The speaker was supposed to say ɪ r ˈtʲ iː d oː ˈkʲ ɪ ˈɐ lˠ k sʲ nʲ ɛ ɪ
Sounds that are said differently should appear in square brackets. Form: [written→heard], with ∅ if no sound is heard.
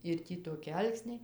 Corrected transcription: ɪ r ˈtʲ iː [d→t] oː ˈkʲ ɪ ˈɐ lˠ k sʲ nʲ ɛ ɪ